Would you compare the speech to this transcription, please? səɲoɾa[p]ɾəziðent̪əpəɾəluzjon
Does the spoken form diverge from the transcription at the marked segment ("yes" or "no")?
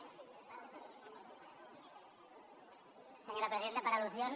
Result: no